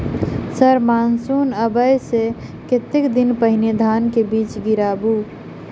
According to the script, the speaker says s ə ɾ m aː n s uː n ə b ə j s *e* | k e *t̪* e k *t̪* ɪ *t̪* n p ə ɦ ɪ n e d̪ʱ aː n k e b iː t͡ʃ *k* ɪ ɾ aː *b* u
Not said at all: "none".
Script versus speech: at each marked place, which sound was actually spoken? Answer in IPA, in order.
e, t̪, d̪, none, ɡ, b

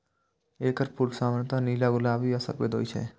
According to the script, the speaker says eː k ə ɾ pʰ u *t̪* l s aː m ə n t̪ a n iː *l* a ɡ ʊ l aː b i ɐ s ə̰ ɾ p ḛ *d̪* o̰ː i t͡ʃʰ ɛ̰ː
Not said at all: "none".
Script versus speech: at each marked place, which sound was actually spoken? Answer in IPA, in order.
none, l, d̪

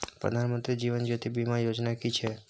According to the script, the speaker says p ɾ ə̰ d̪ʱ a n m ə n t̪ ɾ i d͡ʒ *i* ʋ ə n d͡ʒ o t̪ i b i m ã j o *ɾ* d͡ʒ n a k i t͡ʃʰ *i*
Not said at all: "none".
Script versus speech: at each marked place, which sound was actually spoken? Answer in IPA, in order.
i, none, e

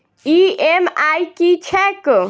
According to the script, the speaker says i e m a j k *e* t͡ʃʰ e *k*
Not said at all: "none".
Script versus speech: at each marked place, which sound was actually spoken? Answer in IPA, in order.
i, k

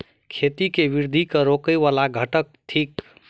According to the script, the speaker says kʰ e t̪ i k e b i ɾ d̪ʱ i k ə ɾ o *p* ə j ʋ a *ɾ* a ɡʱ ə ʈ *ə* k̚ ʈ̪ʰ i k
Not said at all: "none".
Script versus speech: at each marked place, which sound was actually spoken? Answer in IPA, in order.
k, l, ə

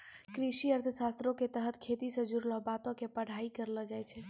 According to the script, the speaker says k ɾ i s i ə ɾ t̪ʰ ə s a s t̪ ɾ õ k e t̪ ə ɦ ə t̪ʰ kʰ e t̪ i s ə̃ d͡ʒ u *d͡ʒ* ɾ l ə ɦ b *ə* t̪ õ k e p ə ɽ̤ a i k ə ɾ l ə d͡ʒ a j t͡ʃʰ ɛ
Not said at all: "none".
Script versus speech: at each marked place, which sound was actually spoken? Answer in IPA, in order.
none, a

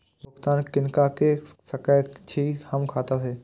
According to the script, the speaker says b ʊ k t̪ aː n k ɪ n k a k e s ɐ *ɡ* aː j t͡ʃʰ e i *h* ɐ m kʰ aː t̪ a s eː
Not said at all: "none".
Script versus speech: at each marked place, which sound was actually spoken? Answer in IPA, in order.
k, h

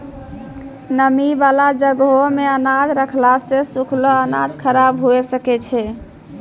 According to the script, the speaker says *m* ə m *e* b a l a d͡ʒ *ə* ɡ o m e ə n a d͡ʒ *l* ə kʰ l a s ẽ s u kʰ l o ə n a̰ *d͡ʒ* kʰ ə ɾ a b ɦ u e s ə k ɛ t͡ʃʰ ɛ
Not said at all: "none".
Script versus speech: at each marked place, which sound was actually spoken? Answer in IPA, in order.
n, i, ə, ɾ, d͡ʒ

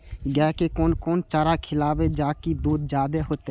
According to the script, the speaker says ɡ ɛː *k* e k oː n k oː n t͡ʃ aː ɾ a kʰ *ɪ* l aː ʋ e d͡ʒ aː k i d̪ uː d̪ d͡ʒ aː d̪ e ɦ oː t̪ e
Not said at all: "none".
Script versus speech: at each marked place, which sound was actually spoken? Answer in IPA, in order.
k, ɪ

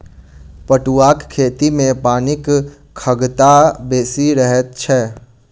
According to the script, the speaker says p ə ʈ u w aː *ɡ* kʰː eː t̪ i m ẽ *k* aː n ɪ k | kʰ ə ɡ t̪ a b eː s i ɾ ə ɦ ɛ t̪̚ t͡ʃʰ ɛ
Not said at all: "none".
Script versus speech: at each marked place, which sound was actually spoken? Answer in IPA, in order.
k, p

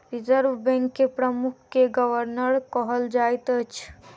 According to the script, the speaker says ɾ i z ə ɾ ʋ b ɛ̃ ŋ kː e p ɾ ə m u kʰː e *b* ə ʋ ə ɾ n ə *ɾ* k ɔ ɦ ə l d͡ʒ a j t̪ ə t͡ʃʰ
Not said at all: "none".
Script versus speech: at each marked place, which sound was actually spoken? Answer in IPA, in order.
ɡ, ɾ

